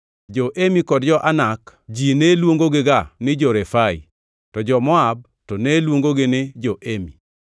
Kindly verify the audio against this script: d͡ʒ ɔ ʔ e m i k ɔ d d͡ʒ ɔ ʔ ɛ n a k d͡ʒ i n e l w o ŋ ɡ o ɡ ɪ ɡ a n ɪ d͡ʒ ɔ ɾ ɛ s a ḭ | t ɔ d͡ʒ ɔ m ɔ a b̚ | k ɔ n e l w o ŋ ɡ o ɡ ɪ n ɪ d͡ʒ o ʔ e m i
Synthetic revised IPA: d͡ʒ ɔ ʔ e m i k ɔ d d͡ʒ ɔ ʔ a n a k d͡ʒ i n e l w o ŋ ɡ o ɡ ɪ ɡ a n ɪ d͡ʒ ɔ ɾ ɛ f a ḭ | t ɔ d͡ʒ ɔ m ɔ a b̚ | t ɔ n e l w o ŋ ɡ o ɡ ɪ n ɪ d͡ʒ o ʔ e m i